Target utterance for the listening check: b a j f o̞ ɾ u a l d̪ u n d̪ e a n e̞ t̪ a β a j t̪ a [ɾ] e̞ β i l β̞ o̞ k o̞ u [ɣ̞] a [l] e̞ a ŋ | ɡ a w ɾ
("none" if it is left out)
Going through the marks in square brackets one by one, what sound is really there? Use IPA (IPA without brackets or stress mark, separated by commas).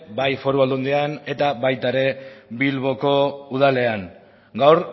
ɾ, ð̞, l